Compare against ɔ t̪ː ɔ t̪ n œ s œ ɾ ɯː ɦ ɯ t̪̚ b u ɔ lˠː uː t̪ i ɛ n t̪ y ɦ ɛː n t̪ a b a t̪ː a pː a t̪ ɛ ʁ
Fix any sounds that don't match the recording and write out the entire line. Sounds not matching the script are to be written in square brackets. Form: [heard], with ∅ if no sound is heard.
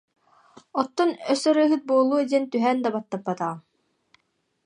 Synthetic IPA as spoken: ɔ t̪ː ɔ [∅] n œ s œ ɾ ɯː ɦ ɯ t̪̚ b u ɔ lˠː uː [d̪] i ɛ n t̪ y ɦ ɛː n [d̪] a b a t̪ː a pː a t̪ [a] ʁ

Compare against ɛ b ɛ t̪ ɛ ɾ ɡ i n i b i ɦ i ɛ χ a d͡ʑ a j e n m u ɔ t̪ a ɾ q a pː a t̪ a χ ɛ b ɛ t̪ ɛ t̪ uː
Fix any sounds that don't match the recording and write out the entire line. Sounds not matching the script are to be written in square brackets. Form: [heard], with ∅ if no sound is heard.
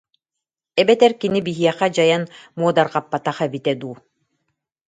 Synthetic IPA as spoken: ɛ b ɛ t̪ ɛ ɾ [k] i n i b i ɦ i ɛ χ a d͡ʑ a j [a] n m u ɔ [d̪] a ɾ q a pː a t̪ a χ ɛ b [i] t̪ ɛ [d̪] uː

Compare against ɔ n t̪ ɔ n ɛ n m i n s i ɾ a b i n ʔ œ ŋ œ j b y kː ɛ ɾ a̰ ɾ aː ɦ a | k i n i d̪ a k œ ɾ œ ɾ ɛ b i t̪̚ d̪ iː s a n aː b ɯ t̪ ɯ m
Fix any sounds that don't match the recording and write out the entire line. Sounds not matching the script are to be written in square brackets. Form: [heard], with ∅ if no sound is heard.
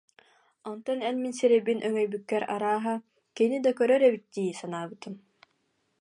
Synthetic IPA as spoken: ɔ n t̪ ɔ n ɛ n m i n s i ɾ [ɛ] b i n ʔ œ ŋ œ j b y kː ɛ ɾ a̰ ɾ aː ɦ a | k i n i d̪ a k œ ɾ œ ɾ ɛ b i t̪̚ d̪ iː s a n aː b ɯ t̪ ɯ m

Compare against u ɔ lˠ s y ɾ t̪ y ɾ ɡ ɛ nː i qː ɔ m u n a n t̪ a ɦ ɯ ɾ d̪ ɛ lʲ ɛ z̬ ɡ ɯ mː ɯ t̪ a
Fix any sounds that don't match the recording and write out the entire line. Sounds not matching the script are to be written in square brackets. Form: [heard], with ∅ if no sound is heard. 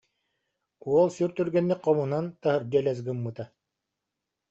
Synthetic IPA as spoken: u ɔ lˠ s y ɾ t̪ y ɾ ɡ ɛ nː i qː ɔ m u n a n t̪ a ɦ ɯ ɾ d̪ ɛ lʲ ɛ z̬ ɡ ɯ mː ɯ t̪ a

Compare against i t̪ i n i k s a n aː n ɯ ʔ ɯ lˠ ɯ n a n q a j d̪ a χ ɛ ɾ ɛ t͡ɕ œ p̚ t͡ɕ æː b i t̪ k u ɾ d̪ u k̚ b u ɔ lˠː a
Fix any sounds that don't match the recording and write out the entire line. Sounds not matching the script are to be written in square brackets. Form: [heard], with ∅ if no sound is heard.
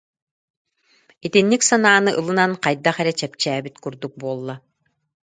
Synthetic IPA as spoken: i t̪ i [nː] i k s a n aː n ɯ ʔ ɯ lˠ ɯ n a n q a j d̪ a χ ɛ ɾ ɛ t͡ɕ [ɛ] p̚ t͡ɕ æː b i t̪ k u ɾ d̪ u k̚ b u ɔ lˠː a

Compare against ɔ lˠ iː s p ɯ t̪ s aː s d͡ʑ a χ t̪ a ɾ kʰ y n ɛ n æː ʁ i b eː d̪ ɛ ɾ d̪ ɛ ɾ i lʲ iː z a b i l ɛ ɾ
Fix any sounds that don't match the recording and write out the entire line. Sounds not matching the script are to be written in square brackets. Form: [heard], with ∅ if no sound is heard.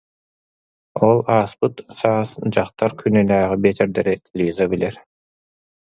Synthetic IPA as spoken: ɔ lˠ [aː] s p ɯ t̪ s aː s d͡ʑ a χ t̪ a ɾ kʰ y n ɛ n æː ʁ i b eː [t̪] ɛ ɾ d̪ ɛ ɾ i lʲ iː z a b i l ɛ ɾ

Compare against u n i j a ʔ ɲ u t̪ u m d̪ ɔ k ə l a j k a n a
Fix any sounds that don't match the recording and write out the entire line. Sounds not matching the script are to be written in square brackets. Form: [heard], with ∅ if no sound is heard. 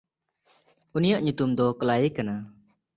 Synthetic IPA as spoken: u n i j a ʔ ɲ u t̪ u m d̪ ɔ k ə l a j k a n a

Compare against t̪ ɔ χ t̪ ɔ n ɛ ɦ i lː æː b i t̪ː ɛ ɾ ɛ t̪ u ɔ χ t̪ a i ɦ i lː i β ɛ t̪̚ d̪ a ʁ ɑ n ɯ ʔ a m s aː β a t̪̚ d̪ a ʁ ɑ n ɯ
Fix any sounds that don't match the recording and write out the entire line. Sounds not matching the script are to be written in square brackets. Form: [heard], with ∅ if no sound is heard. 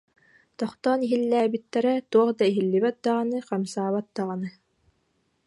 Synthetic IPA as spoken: t̪ ɔ χ t̪ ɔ n [i] ɦ i lː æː b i t̪ː ɛ ɾ ɛ t̪ u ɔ χ [d̪] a i ɦ i lː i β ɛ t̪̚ d̪ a ʁ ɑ n ɯ [q] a m s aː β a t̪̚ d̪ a ʁ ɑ n ɯ

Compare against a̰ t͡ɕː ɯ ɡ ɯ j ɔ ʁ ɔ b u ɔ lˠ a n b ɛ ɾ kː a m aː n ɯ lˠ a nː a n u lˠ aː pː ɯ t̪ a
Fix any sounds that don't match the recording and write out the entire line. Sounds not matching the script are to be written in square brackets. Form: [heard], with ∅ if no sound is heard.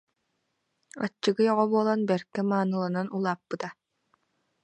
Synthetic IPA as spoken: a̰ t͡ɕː ɯ ɡ ɯ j ɔ ʁ ɔ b u ɔ lˠ a n b ɛ ɾ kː [ɛ] m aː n ɯ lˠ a [n] a n u lˠ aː pː ɯ t̪ a

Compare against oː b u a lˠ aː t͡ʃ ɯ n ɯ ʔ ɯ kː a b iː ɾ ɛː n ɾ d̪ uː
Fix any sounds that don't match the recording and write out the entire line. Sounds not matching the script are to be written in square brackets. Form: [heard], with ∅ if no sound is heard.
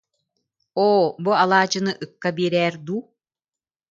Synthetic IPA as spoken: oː b u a lˠ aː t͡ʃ ɯ n ɯ ʔ ɯ kː a b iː ɾ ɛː [∅] ɾ d̪ uː

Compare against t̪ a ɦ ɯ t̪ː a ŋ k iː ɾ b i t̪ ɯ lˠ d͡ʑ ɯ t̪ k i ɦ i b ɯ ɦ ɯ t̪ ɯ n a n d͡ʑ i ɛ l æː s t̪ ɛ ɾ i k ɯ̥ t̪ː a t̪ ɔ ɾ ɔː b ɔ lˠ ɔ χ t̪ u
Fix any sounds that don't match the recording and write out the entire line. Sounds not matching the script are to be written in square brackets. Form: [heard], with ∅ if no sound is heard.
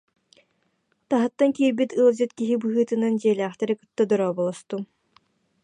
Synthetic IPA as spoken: t̪ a ɦ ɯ t̪ː a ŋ k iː ɾ b i t̪ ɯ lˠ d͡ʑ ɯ t̪ k i ɦ i b ɯ ɦ [ɯː] t̪ ɯ n a n d͡ʑ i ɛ l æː [χ] t̪ ɛ ɾ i k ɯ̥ t̪ː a [d̪] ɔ ɾ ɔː b ɔ lˠ ɔ [s] t̪ u

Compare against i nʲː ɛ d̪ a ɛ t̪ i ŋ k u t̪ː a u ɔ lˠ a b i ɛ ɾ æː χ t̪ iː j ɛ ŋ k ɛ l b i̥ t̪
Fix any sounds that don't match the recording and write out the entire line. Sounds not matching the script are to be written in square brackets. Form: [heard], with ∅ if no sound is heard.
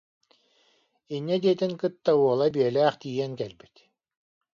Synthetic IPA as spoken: i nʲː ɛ d̪ [i] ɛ t̪ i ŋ k [ɯ] t̪ː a u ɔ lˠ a b i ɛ [l] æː χ t̪ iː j ɛ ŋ k ɛ l b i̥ t̪

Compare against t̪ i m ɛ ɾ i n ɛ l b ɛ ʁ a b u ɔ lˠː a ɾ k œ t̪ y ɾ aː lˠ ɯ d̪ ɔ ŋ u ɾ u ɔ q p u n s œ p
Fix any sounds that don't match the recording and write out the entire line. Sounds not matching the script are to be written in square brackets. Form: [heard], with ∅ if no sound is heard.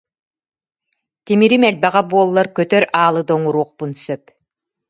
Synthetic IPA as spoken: t̪ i m [i] ɾ i [m] ɛ l b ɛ ʁ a b u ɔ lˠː a ɾ k œ t̪ [œ] ɾ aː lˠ ɯ d̪ ɔ ŋ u ɾ u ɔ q p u n s œ p

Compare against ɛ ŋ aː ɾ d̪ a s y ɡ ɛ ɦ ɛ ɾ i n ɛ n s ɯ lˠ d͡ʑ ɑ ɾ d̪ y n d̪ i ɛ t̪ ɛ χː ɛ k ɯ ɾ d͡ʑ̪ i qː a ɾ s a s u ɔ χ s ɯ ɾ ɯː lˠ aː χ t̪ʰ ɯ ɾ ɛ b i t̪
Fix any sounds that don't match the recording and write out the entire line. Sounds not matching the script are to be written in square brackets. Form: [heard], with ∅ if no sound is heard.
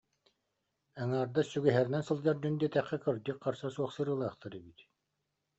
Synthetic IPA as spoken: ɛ ŋ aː ɾ d̪ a s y ɡ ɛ ɦ ɛ ɾ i n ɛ n s ɯ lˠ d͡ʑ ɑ ɾ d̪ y n d̪ i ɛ t̪ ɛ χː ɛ k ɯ ɾ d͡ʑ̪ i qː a ɾ s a s u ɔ χ s ɯ ɾ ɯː lˠ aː χ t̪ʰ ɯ ɾ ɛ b i t̪

